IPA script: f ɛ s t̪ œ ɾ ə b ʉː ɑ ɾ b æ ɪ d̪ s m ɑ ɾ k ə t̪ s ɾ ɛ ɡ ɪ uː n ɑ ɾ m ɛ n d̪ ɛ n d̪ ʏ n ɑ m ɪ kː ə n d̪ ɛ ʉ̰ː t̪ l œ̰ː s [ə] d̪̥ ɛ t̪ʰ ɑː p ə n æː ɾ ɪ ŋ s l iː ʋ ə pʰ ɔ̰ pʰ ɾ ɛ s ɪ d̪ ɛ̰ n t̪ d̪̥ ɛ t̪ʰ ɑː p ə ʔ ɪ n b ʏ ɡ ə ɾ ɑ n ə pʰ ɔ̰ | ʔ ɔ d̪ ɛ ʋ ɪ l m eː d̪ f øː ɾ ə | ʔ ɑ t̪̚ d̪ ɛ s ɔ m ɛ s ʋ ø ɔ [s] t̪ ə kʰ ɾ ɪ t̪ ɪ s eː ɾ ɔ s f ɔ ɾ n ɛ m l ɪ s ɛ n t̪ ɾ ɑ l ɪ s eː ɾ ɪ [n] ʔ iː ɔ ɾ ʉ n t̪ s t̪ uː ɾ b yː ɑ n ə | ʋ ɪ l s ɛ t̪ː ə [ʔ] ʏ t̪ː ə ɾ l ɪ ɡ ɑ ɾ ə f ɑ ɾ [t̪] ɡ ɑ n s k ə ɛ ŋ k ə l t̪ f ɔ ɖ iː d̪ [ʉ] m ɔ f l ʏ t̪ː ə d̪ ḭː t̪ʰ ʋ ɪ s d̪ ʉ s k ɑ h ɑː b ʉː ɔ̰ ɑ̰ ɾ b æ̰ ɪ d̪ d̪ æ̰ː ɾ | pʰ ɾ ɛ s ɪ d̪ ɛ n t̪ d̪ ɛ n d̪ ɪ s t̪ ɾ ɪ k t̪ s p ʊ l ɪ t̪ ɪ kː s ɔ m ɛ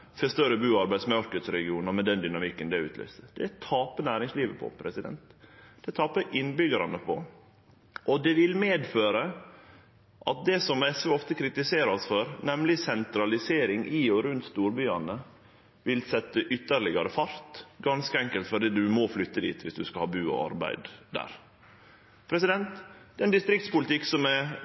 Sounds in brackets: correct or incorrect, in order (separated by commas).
correct, incorrect, incorrect, correct, correct, correct